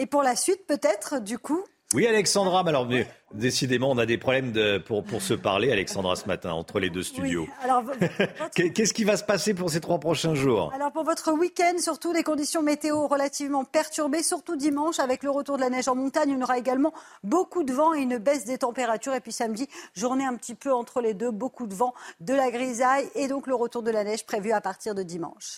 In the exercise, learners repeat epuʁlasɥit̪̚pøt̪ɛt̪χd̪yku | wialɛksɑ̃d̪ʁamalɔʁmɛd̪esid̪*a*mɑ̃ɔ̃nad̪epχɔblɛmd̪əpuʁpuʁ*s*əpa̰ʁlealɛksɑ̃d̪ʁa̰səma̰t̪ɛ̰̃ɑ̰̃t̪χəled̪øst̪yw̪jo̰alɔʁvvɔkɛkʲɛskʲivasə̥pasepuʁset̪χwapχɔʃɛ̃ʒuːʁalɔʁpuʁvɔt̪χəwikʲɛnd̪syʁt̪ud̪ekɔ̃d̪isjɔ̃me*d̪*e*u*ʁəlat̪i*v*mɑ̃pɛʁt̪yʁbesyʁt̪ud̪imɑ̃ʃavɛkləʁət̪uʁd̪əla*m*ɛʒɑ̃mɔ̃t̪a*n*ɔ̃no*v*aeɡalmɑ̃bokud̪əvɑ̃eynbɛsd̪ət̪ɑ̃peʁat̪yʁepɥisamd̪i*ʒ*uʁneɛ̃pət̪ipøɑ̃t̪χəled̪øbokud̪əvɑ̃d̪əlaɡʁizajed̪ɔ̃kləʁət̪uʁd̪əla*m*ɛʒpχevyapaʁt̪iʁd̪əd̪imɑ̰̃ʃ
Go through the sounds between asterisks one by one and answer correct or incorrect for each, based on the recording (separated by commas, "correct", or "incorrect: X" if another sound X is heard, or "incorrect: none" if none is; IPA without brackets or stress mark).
incorrect: e, correct, incorrect: t̪, incorrect: o, correct, incorrect: n, incorrect: ɲ, incorrect: ʁ, correct, incorrect: n